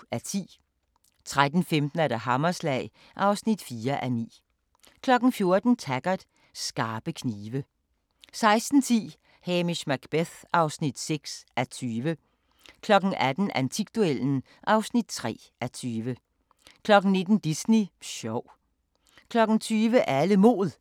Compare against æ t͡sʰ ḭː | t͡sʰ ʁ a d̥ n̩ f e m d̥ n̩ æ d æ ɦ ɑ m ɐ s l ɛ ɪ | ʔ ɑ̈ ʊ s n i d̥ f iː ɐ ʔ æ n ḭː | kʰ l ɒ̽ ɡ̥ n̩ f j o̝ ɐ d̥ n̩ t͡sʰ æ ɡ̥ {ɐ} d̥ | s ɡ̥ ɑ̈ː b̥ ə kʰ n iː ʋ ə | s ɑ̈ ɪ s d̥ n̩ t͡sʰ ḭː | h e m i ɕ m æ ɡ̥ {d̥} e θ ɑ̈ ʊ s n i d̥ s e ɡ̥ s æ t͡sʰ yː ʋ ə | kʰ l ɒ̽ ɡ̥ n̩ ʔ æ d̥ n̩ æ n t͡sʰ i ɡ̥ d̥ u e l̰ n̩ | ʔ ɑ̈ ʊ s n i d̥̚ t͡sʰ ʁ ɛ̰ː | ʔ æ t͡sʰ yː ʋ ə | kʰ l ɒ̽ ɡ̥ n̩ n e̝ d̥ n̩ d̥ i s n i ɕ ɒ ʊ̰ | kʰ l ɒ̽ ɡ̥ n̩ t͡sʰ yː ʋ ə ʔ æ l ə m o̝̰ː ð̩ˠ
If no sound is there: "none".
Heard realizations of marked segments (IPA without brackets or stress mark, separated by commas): ɐ, b̥